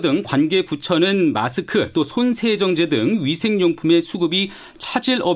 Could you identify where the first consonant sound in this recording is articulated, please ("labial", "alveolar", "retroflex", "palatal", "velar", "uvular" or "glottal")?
alveolar